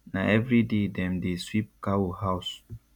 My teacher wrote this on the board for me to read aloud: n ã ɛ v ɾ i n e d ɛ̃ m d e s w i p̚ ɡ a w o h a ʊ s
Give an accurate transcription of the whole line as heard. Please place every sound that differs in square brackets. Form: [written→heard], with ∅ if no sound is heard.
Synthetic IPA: n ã ɛ v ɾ i [n→d] e d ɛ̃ m d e s w i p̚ [ɡ→k] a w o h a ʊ s